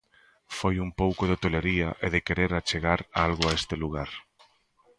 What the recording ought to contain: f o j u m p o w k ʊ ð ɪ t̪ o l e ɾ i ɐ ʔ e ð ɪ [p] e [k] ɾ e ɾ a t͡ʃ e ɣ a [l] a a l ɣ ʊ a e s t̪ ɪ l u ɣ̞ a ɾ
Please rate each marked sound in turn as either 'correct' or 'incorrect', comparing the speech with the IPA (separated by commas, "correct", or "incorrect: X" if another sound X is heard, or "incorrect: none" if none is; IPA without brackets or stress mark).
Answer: incorrect: k, incorrect: none, incorrect: ɾ